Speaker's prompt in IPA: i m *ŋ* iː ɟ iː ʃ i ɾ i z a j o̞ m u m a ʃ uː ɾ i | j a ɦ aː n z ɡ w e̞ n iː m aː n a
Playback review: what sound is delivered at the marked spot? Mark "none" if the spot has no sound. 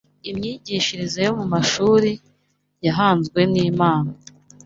ɲ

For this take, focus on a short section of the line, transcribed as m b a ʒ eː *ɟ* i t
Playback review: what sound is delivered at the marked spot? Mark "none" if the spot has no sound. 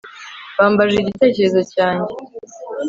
ɟ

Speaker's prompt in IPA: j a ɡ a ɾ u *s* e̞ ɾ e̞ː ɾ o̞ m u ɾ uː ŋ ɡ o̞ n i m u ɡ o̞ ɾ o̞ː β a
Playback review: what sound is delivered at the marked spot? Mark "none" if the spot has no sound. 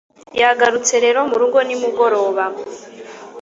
t͡s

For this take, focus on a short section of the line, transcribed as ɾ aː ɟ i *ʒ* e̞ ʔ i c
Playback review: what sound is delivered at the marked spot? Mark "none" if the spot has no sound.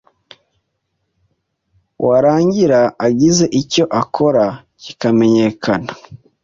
z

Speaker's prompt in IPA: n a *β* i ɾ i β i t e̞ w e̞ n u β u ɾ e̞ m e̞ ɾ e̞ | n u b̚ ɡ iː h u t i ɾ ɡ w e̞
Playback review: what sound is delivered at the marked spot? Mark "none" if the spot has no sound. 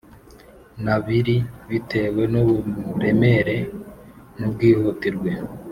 β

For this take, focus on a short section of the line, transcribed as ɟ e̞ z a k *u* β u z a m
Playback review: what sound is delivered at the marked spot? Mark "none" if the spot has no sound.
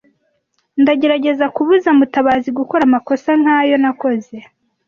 u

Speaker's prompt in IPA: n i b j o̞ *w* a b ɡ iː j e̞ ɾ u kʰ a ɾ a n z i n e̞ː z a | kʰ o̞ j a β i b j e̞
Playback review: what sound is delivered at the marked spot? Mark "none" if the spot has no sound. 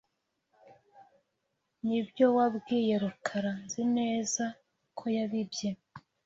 w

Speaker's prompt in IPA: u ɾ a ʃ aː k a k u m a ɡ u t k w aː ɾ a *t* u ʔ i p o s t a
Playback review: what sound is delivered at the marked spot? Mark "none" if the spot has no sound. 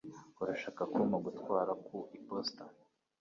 k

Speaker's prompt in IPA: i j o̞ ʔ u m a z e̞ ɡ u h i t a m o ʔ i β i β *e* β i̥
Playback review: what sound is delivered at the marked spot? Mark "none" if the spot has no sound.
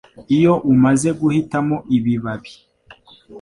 a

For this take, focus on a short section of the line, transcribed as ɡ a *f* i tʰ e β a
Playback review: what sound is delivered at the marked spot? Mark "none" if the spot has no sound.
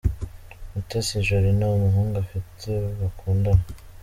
f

